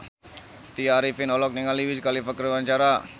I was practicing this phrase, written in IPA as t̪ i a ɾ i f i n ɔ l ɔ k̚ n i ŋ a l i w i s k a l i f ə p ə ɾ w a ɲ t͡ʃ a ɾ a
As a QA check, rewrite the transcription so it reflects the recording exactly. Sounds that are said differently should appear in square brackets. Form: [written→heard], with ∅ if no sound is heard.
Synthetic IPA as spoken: t̪ i a ɾ i f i n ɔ l ɔ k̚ n i ŋ a l i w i s k a l i f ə [p→k] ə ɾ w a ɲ t͡ʃ a ɾ a